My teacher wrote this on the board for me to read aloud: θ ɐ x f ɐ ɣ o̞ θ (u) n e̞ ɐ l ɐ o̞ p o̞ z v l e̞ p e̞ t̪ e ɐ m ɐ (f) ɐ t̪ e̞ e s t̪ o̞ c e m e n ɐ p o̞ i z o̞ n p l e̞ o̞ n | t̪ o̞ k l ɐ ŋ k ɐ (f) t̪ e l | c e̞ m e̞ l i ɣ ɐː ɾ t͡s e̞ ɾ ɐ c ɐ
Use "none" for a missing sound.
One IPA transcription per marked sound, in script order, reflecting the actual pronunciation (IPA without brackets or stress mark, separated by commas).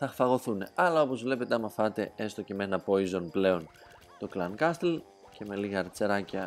u, f, s